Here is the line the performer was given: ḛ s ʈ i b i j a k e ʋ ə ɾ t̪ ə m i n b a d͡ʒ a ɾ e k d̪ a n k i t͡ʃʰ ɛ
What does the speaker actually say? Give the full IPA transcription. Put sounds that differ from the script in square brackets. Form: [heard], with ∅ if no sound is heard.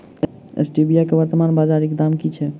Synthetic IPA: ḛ s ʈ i b i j a k e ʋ ə ɾ t̪ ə m [a] n b a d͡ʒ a ɾ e k d̪ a [m] k i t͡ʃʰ ɛ